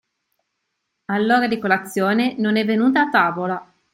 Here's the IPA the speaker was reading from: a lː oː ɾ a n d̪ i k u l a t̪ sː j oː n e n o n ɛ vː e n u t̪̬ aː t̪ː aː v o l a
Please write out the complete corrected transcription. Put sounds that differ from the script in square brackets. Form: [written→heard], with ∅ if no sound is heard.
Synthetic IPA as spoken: a lː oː ɾ a [n→∅] d̪ i k [u→o] l a t̪ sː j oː n e n o n ɛ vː e n [u→uː] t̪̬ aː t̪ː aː v o l a